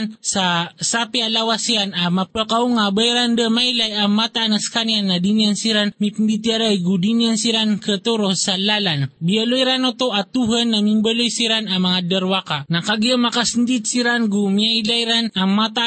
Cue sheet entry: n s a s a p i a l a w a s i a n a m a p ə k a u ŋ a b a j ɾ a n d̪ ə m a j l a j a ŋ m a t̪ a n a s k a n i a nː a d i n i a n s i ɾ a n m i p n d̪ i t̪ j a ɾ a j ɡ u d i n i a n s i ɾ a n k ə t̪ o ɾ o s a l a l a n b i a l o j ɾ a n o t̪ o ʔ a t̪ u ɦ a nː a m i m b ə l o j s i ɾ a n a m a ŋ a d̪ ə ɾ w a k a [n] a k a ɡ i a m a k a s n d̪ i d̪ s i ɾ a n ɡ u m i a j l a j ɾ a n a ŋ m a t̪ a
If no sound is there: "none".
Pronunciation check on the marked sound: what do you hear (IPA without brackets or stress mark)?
n